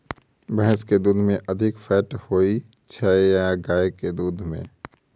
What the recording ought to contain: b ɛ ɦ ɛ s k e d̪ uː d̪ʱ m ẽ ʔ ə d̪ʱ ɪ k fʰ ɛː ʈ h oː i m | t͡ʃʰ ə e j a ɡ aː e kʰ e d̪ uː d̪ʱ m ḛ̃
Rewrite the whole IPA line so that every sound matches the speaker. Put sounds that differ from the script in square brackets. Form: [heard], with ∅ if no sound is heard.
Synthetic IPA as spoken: b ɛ ɦ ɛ s k e d̪ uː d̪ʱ m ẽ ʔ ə d̪ʱ ɪ k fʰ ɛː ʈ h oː i [∅] | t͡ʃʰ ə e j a ɡ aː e [k] e d̪ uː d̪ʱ m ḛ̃